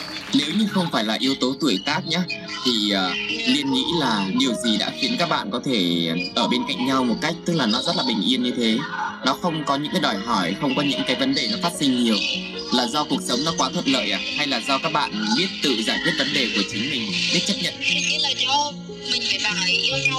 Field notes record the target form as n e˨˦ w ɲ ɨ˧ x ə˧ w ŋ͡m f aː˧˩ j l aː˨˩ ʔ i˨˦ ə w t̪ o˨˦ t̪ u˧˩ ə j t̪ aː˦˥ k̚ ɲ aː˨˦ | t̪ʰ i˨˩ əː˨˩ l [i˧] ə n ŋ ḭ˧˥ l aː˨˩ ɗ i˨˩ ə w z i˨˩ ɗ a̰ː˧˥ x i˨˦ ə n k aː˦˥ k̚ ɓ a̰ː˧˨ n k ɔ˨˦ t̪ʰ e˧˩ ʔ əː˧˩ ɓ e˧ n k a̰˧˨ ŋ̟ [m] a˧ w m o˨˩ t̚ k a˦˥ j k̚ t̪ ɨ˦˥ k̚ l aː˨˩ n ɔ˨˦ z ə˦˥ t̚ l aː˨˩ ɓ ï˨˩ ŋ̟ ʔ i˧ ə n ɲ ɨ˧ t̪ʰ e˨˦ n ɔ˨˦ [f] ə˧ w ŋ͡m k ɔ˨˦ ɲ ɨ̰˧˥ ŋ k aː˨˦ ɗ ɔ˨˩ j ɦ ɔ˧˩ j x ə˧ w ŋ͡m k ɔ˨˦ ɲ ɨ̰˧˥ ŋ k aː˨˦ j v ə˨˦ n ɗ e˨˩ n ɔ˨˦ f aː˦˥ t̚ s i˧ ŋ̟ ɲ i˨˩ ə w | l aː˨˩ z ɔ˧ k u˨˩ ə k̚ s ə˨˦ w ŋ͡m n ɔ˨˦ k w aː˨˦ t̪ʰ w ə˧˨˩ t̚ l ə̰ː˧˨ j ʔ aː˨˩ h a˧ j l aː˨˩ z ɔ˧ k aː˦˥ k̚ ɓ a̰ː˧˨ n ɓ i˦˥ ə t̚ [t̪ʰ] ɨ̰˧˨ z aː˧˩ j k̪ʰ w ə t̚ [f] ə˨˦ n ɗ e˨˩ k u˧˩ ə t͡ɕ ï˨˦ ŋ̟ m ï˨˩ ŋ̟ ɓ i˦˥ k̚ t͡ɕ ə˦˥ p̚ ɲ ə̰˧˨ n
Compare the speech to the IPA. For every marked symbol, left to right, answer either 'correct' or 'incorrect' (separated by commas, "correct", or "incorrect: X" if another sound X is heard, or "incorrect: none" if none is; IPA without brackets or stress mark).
correct, incorrect: ɲ, incorrect: x, incorrect: t̪, incorrect: v